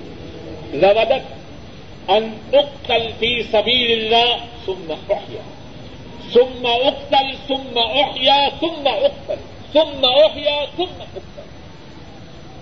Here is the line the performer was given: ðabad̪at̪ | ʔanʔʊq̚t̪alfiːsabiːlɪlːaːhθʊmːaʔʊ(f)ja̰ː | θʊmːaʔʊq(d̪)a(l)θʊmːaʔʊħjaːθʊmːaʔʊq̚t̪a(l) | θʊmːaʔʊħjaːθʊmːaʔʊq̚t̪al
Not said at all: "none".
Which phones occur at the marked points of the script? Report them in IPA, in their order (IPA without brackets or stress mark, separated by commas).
ħ, t̪, l, l